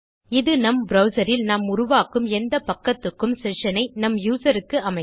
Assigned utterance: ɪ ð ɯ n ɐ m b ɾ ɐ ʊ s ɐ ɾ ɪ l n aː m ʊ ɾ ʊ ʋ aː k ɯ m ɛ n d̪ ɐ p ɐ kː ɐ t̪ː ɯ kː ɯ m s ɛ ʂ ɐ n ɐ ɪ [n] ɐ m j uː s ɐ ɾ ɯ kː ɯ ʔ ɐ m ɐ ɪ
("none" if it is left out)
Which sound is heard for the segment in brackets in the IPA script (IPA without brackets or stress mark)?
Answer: n